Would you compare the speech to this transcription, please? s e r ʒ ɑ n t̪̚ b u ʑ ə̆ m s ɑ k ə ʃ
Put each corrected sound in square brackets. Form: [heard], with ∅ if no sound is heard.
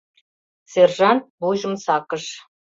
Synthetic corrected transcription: s e r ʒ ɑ n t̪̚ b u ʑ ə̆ m s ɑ k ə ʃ